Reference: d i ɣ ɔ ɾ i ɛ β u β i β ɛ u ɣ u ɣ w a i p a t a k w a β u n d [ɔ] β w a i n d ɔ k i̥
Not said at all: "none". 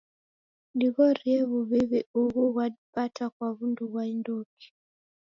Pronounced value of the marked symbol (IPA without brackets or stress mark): u